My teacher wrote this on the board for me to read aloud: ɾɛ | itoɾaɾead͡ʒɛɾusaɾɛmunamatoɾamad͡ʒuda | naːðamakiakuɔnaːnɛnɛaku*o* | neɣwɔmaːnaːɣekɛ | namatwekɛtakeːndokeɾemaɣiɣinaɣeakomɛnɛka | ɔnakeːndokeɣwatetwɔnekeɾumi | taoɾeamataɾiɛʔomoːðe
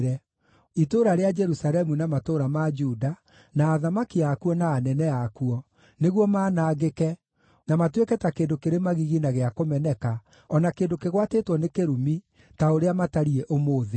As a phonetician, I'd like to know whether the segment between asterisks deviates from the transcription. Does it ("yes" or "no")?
yes